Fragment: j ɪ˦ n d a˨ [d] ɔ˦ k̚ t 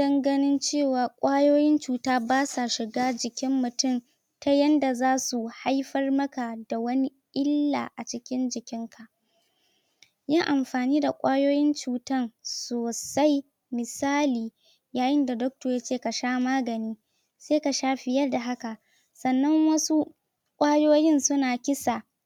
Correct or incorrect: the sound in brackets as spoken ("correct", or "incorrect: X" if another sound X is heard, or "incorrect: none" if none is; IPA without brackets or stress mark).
correct